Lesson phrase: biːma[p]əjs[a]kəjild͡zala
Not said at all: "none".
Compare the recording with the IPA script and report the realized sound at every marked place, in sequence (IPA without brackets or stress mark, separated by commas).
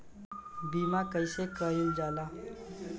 k, e